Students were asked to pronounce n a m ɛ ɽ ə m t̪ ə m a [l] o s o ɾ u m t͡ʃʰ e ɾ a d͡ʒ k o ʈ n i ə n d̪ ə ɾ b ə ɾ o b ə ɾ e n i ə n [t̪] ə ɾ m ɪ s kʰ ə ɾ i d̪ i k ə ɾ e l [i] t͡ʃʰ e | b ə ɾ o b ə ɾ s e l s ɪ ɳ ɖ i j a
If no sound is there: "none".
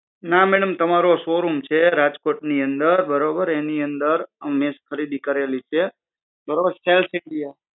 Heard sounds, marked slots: ɾ, d̪, i

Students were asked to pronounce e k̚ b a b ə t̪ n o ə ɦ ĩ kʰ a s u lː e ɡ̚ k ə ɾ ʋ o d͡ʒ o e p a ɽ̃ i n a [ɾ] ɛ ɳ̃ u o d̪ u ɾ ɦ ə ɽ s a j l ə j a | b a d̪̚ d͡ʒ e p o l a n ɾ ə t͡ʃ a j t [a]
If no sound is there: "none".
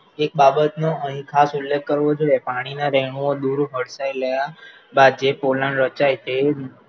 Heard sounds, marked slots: ɾ, e

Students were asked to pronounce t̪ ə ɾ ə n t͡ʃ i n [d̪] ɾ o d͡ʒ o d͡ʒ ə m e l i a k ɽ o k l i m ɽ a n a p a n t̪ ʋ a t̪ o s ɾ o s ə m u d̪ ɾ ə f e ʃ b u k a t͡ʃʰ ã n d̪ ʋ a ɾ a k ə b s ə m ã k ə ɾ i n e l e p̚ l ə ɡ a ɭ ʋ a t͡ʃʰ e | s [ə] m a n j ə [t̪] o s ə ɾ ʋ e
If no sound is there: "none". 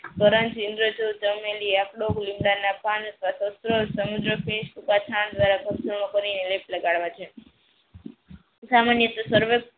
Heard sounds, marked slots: d̪, a, t̪

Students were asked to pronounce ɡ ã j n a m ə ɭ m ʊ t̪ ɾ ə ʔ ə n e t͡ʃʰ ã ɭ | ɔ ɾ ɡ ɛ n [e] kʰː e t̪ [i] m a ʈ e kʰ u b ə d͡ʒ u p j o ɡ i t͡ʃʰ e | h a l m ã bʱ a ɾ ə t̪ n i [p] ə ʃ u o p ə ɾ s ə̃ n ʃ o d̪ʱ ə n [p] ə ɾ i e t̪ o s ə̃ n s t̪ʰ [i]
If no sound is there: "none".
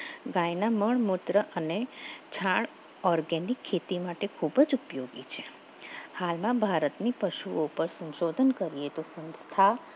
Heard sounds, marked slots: i, i, p, k, a

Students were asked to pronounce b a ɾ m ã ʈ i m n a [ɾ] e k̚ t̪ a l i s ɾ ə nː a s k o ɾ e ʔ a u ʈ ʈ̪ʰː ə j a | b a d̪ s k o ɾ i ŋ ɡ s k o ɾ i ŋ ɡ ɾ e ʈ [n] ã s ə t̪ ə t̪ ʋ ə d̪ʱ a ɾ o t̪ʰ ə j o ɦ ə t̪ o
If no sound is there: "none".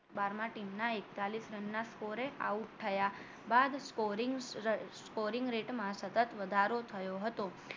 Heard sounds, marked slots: none, m

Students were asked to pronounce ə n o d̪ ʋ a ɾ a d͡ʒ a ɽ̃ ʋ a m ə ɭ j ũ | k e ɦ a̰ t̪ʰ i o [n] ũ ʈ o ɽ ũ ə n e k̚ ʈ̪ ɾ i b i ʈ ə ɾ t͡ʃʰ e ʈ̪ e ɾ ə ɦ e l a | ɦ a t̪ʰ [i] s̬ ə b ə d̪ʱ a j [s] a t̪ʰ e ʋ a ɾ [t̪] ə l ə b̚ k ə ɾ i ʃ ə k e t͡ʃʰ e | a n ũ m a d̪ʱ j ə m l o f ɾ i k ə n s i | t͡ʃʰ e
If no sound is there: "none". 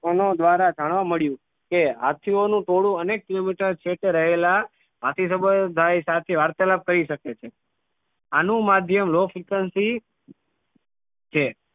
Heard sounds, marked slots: n, i, s, t̪

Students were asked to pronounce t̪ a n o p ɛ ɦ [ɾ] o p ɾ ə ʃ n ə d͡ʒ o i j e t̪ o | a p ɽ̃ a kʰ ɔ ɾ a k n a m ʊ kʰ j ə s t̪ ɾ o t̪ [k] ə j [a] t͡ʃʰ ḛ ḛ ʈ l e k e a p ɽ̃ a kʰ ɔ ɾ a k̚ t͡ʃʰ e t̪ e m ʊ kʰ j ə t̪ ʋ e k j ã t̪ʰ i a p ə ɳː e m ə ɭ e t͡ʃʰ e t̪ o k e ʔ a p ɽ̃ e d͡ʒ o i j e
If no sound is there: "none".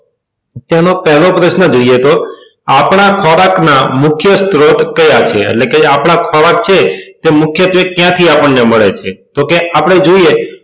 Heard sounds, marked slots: l, k, a

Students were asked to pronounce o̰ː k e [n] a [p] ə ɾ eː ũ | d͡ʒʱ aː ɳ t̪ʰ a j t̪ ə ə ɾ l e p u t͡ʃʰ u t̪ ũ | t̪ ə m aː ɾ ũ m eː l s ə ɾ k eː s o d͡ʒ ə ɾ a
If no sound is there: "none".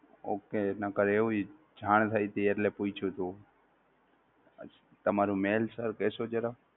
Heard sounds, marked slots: n, k

